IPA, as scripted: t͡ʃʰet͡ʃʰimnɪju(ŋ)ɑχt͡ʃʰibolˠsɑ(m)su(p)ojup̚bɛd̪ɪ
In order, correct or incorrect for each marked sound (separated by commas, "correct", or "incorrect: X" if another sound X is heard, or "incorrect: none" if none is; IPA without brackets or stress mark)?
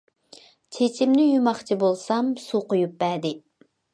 incorrect: m, correct, incorrect: q